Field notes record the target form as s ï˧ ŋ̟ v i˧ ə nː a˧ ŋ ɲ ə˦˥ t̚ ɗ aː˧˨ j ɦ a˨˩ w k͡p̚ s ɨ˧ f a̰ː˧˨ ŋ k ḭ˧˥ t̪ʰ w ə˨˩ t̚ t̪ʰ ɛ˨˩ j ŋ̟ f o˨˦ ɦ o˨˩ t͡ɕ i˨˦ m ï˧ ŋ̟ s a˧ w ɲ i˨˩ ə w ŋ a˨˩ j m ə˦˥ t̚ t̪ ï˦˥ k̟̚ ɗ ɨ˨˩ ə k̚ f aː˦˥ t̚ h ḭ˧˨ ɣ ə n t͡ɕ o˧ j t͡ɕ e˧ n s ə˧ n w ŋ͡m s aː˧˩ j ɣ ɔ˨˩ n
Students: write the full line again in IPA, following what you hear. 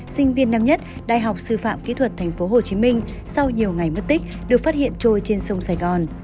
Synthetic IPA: s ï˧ ŋ̟ v i˧ ə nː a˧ m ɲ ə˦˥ t̚ ɗ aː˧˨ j ɦ a˨˩ w k͡p̚ s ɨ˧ f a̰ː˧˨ m k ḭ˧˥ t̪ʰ w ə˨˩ t̚ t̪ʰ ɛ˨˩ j ŋ̟ f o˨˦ ɦ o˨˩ t͡ɕ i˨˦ m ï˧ ŋ̟ s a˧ w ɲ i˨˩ ə w ŋ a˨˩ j m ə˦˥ t̚ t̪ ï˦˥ k̟̚ ɗ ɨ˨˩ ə k̚ f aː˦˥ t̚ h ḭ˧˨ ə n t͡ɕ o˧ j t͡ɕ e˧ n s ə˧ w ŋ͡m s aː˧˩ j ɣ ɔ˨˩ n

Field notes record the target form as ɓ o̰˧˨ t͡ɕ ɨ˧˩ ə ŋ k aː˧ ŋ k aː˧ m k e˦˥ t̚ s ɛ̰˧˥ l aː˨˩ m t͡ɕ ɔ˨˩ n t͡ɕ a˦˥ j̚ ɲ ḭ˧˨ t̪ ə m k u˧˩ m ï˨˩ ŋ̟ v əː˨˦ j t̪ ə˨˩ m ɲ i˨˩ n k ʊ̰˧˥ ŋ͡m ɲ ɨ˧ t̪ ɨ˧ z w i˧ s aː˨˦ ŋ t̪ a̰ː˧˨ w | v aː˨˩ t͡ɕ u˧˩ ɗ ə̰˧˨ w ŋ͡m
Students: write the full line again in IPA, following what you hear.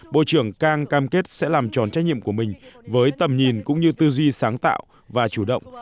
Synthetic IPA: ɓ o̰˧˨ t͡ɕ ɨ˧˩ ə ŋ k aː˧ ŋ k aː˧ m k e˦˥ t̚ s ɛ̰˧˥ l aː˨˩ m t͡ɕ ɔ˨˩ n t͡ɕ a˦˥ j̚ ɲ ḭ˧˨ ə m k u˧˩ m ï˨˩ ŋ̟ v əː˨˦ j t̪ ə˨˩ m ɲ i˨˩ n k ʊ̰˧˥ ŋ͡m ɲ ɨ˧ t̪ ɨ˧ z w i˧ s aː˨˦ ŋ t̪ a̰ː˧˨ w | v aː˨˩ t͡ɕ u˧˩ ɗ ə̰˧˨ w ŋ͡m

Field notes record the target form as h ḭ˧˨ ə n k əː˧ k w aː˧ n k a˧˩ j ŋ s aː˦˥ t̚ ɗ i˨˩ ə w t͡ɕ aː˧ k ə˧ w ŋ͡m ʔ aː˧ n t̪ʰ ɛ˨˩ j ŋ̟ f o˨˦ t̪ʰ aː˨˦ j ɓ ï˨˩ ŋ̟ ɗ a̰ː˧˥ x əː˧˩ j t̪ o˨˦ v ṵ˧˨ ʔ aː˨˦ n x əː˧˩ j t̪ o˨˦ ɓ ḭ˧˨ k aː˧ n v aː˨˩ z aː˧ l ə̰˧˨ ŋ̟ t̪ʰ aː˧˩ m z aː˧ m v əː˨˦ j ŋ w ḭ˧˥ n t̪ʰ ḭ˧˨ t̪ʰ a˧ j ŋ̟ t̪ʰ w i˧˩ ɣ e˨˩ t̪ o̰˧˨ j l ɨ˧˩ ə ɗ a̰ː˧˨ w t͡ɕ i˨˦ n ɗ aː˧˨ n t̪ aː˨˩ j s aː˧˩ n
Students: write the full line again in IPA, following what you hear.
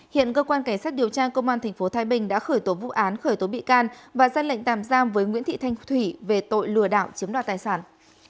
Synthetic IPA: h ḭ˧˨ ə n k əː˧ k w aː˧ n k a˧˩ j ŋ s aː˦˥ t̚ ɗ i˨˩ ə w t͡ɕ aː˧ k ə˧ w ŋ͡m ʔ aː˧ n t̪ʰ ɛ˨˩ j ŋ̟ f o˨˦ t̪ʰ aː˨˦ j ɓ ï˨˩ ŋ̟ ɗ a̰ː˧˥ x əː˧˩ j t̪ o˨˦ v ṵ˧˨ ʔ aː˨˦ n x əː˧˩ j t̪ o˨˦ ɓ ḭ˧˨ k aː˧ n v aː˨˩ z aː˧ l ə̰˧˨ ŋ̟ t̪ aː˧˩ m z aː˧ m v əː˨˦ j ŋ w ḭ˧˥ n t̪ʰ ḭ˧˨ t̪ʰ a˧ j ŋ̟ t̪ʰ w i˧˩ v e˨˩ t̪ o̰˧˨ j l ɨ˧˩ ə ɗ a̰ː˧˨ w t͡ɕ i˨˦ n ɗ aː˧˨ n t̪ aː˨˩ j s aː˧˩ n

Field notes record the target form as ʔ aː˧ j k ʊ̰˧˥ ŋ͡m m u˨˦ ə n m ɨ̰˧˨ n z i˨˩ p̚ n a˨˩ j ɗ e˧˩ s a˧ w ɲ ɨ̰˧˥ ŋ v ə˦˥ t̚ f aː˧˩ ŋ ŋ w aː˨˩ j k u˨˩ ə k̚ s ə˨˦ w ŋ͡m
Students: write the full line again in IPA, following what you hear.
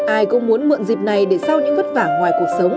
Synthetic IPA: ʔ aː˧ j k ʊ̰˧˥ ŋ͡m m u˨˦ ə n m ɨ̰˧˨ n z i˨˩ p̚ n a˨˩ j ɗ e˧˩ s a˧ w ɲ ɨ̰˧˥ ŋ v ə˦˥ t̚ v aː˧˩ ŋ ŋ w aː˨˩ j k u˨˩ ə k̚ s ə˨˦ w ŋ͡m

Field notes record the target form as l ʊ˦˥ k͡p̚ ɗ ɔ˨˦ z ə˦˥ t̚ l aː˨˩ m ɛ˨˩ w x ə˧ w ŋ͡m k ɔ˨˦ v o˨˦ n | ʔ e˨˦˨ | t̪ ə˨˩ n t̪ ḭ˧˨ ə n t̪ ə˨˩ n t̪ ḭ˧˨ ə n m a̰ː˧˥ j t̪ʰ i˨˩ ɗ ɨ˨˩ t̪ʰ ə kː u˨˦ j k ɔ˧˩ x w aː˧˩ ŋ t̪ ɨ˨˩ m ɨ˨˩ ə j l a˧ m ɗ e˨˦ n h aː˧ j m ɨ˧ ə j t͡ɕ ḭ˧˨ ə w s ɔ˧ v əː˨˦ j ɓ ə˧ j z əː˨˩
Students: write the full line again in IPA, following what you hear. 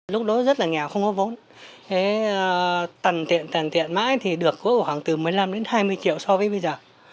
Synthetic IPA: l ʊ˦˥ k͡p̚ ɗ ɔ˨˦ z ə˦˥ t̚ l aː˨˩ ŋ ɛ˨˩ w x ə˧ w ŋ͡m k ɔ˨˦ v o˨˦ n | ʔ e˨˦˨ | t̪ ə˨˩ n t̪ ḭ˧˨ ə n t̪ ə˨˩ n t̪ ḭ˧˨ ə n m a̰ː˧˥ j t̪ʰ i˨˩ ɗ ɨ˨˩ ə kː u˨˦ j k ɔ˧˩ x w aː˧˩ ŋ t̪ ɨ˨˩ m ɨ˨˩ ə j l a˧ m ɗ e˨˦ n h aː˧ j m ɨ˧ ə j t͡ɕ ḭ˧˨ ə w s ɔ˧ v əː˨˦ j ɓ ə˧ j z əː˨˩

